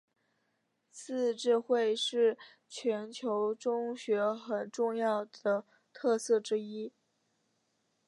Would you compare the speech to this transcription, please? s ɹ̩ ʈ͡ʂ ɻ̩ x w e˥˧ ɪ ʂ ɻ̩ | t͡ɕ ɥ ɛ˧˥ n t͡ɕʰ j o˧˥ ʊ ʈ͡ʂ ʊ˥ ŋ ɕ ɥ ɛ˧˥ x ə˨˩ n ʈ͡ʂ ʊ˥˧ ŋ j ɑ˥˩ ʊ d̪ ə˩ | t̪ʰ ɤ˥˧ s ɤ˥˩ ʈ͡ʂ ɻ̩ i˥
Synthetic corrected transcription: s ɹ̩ ʈ͡ʂ ɻ̩ x w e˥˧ ɪ ʂ ɻ̩ | t͡ɕʰ ɥ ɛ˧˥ n t͡ɕʰ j o˧˥ ʊ ʈ͡ʂ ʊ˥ ŋ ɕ ɥ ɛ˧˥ x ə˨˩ n ʈ͡ʂ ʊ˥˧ ŋ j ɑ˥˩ ʊ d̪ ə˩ | t̪ʰ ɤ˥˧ s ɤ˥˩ ʈ͡ʂ ɻ̩ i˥